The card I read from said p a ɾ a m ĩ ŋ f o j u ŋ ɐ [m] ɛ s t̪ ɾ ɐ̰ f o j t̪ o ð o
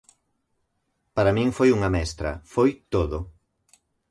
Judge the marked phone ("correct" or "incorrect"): correct